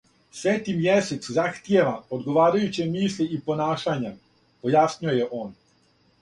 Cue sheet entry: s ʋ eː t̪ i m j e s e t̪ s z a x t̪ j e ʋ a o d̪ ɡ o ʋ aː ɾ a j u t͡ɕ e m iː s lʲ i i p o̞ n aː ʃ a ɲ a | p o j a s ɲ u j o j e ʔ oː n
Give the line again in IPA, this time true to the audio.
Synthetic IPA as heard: s ʋ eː t̪ i m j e s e t̪ s z a x t̪ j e ʋ a o d̪ ɡ o ʋ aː ɾ a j u t͡ɕ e m iː s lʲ i i p o̞ n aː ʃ a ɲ a | p o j a s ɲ u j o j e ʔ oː n